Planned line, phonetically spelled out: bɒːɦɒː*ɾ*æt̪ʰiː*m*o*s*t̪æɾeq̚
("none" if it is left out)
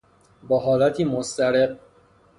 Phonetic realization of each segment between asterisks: l, m, s

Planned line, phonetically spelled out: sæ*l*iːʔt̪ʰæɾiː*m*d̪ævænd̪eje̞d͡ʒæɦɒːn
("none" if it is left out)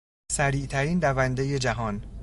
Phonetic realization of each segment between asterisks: ɾ, n

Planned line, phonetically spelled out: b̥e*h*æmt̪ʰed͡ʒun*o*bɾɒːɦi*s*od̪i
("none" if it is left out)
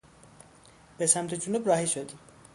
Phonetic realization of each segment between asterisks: s, u, ʃ

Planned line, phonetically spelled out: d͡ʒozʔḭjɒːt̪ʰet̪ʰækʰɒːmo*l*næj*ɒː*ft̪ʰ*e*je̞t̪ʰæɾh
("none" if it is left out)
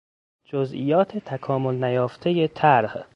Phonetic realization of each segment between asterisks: l, ɒː, e

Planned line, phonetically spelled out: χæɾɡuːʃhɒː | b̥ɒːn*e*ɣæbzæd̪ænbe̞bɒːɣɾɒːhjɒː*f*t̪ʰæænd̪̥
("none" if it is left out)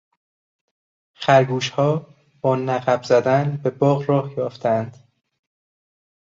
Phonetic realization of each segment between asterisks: æ, f

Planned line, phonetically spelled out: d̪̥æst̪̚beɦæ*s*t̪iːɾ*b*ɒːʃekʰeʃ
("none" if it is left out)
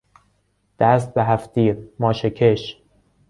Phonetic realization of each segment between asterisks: f, m

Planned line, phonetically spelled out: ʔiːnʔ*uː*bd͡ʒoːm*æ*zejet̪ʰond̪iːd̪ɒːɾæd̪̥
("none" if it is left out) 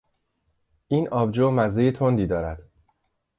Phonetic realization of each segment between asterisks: ɒː, æ

